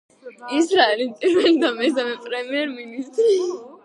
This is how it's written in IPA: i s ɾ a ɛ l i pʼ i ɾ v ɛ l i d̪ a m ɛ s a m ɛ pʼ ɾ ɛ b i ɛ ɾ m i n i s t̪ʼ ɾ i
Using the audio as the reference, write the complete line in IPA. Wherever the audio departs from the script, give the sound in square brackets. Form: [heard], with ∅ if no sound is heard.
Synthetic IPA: i s ɾ a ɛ l i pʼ i ɾ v ɛ l i d̪ a m ɛ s a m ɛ pʼ ɾ ɛ [m] i ɛ ɾ m i n i s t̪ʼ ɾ i

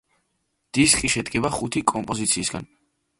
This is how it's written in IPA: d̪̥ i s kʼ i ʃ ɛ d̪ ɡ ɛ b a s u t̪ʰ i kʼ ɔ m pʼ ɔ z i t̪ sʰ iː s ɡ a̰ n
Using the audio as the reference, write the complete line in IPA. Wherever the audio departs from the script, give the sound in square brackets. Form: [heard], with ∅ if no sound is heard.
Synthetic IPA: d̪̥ i s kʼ i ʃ ɛ d̪ ɡ ɛ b a [χ] u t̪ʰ i kʼ ɔ m pʼ ɔ z i t̪ sʰ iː s ɡ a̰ n

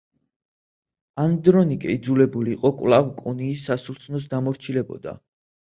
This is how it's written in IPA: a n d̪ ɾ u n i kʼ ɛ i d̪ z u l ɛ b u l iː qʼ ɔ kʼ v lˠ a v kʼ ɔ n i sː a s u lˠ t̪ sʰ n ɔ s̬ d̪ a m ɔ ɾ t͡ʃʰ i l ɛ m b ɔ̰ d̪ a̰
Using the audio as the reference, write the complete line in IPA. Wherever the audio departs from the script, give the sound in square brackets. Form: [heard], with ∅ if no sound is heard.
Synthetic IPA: a n d̪ ɾ [ɔ] n i kʼ ɛ i d̪ z u l ɛ b u l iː qʼ ɔ kʼ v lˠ a v kʼ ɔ n [iː] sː a s u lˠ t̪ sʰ n ɔ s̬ d̪ a m ɔ ɾ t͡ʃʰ i l ɛ [∅] b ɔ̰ d̪ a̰

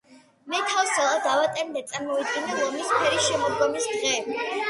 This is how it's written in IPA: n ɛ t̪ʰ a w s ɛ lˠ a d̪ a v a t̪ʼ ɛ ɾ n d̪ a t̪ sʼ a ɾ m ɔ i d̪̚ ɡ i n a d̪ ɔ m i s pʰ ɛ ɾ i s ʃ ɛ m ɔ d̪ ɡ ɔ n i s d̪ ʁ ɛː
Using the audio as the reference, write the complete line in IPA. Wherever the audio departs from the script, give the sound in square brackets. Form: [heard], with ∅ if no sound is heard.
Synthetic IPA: [m] ɛ t̪ʰ a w s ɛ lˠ a d̪ a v a t̪ʼ ɛ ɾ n d̪ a t̪ sʼ a ɾ m ɔ i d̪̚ ɡ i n a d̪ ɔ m i s pʰ ɛ ɾ i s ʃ ɛ m ɔ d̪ ɡ ɔ [m] i s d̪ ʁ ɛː

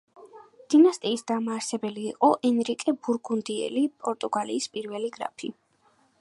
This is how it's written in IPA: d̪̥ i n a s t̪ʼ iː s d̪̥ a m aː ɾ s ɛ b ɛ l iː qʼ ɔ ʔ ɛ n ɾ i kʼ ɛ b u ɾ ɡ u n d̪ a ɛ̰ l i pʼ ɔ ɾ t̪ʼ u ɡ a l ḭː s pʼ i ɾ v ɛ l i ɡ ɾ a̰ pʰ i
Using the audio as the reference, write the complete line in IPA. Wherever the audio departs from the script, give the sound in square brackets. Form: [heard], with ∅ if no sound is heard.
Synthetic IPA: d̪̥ i n a s t̪ʼ iː s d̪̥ a m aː ɾ s ɛ b ɛ l iː qʼ ɔ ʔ ɛ n ɾ i kʼ ɛ b u ɾ ɡ u n d̪ [i] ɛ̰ l i pʼ ɔ ɾ t̪ʼ u ɡ a l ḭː s pʼ i ɾ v ɛ l i ɡ ɾ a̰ pʰ i

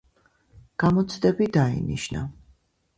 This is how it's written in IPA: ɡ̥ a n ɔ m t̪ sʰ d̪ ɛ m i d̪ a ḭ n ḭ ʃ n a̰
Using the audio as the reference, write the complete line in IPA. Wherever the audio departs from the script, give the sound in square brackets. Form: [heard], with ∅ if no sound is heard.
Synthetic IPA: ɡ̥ a [m] ɔ [∅] t̪ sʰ d̪ ɛ [b] i d̪ a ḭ n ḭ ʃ n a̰

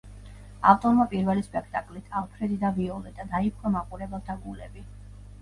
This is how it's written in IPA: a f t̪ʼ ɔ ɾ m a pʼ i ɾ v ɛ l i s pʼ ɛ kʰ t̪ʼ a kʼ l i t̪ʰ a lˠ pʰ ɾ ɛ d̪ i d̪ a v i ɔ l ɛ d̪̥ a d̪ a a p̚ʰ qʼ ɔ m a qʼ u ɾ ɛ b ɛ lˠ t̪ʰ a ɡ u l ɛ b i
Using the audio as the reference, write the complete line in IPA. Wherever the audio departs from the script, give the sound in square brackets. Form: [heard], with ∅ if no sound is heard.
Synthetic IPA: a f t̪ʼ ɔ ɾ m a pʼ i ɾ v ɛ l i s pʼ ɛ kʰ t̪ʼ a kʼ l i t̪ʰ a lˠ pʰ ɾ ɛ d̪ i d̪ a v i ɔ l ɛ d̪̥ a d̪ a [i] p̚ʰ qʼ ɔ m a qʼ u ɾ ɛ b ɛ lˠ t̪ʰ a ɡ u l ɛ b i

